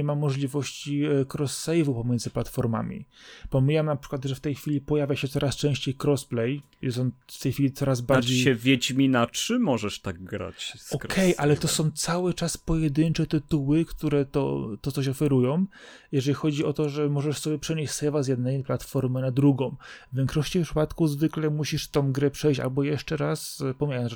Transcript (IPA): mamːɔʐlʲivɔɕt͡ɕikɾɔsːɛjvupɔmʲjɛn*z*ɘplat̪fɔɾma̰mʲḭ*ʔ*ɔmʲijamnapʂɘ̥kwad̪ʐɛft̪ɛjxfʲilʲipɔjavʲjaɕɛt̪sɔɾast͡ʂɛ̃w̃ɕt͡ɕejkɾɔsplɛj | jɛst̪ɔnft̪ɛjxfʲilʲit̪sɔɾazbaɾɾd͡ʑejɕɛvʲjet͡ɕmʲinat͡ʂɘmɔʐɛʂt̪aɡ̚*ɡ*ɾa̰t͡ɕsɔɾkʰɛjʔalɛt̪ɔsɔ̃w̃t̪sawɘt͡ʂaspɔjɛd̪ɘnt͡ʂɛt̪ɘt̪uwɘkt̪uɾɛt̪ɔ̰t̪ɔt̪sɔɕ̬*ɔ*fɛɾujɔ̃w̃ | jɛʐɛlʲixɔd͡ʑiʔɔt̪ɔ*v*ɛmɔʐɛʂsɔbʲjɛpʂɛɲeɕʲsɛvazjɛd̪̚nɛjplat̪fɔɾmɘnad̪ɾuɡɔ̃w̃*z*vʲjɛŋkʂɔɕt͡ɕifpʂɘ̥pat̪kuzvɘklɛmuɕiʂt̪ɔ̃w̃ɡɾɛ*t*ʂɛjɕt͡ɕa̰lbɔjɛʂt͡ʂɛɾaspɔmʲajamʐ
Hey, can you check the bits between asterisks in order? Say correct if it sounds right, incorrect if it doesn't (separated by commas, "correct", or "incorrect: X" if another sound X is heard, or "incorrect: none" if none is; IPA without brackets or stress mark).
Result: correct, incorrect: p, correct, correct, incorrect: ʐ, incorrect: v, incorrect: p